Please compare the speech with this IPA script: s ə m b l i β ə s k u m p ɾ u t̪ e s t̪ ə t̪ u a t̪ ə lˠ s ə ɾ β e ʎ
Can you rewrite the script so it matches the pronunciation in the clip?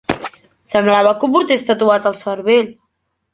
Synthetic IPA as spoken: s ə m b l a β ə k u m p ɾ u t̪ e s t̪ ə t̪ u a t̪ ə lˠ s ə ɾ β e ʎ